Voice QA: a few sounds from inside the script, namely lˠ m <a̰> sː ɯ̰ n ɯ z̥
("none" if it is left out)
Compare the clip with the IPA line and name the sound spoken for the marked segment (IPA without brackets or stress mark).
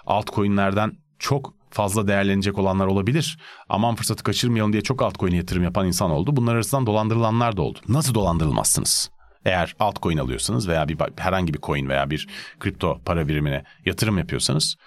a̰